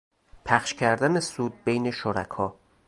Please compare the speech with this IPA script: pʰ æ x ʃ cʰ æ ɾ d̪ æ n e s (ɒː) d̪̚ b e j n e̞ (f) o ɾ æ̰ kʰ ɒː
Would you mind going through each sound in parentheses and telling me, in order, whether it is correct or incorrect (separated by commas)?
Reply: incorrect, incorrect